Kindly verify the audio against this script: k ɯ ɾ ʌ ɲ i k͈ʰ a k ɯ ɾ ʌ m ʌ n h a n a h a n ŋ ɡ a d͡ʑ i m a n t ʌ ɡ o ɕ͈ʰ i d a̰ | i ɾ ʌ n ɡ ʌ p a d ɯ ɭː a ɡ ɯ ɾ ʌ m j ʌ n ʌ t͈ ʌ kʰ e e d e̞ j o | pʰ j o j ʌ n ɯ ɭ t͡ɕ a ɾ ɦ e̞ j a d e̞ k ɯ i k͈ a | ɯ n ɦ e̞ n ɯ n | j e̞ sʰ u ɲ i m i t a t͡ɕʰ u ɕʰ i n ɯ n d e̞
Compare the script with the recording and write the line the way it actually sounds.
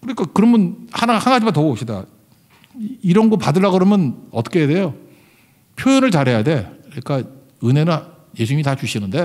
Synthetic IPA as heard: k ɯ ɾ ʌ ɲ i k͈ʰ a k ɯ ɾ ʌ m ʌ n h a n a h a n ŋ ɡ a d͡ʑ i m a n t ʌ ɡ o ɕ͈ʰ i d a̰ | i ɾ ʌ n ɡ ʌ p a d ɯ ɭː a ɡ ɯ ɾ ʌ m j ʌ n ʌ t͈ ʌ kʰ e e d e̞ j o | pʰ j o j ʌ n ɯ ɭ t͡ɕ a ɾ ɦ e̞ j a d e̞ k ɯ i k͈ a | ɯ n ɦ e̞ n ɯ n | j e̞ sʰ u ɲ i m i t a t͡ɕ u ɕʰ i n ɯ n d e̞